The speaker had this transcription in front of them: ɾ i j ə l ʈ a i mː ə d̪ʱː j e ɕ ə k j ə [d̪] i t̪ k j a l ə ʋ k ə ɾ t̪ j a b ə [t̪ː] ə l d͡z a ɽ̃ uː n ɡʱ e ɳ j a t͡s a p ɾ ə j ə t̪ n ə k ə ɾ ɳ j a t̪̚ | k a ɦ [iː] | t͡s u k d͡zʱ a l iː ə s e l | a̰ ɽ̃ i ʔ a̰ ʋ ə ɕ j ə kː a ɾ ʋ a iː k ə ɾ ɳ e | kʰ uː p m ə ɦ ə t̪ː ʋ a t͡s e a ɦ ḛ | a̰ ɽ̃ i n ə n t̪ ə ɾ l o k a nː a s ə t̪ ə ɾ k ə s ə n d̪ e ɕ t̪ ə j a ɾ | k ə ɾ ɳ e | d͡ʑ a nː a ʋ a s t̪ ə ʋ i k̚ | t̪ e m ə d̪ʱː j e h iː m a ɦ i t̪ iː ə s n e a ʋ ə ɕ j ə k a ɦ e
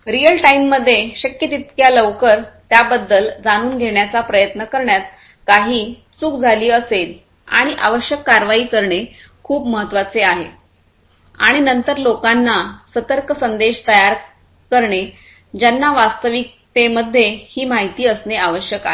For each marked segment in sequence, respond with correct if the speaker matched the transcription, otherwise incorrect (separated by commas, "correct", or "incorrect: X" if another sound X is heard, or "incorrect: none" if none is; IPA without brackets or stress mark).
incorrect: t̪, incorrect: d̪ː, correct